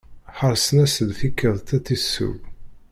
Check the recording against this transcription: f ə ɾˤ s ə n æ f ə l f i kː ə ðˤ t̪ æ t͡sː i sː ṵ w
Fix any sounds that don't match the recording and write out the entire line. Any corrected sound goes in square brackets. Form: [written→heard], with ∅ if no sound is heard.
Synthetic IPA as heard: [f→ħ] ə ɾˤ s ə n æ [f→s] ə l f i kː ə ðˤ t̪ æ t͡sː i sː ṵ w